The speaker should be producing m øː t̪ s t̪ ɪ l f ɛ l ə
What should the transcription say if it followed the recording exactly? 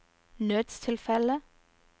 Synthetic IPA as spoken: n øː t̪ s t̪ʰ ɪ l f ɛ l ə